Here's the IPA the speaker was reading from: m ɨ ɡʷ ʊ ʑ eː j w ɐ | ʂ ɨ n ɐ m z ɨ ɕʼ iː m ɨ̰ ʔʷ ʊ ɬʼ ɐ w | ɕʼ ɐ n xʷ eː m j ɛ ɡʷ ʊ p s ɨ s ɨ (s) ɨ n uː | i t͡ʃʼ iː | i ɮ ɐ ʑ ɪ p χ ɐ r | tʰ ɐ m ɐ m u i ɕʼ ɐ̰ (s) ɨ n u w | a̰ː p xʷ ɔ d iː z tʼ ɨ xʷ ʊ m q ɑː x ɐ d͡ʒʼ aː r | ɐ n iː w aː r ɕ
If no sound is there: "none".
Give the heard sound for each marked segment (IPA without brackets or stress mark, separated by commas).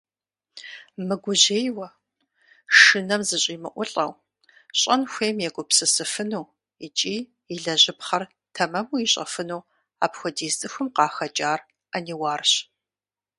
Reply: f, f